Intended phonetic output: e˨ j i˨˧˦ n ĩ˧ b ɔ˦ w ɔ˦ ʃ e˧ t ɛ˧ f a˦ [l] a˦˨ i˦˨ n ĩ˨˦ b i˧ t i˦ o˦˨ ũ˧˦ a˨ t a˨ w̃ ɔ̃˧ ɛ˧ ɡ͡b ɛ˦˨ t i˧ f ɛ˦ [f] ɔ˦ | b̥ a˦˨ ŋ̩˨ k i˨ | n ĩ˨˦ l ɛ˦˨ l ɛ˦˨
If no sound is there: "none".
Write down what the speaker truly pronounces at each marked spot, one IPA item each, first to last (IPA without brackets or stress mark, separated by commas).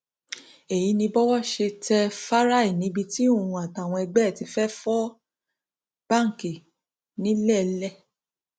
ɾ, f